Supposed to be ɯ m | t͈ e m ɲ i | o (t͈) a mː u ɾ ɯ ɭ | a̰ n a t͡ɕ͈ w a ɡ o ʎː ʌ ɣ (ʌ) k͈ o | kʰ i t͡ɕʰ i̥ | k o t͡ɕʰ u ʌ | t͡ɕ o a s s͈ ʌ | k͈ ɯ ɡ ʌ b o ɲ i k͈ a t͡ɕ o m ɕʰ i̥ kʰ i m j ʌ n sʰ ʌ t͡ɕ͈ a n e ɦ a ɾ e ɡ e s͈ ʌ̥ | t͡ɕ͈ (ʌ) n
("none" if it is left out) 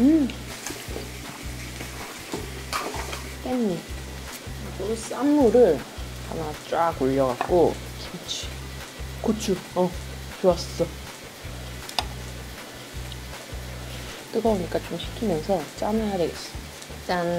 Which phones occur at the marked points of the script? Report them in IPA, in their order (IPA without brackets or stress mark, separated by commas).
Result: s͈, a, a